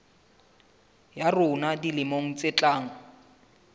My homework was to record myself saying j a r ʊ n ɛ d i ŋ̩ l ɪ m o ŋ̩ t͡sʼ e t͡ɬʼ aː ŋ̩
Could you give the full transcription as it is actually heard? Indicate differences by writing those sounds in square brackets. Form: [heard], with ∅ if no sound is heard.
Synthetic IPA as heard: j a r ʊ n [a] d i [∅] l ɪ m o ŋ̩ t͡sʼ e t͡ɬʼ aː ŋ̩